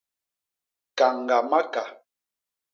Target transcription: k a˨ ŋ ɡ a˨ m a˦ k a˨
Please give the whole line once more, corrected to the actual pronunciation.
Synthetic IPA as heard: k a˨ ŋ ɡ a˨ m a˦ k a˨